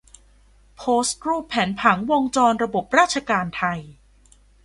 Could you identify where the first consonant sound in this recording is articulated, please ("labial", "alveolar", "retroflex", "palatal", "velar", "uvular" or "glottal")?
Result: labial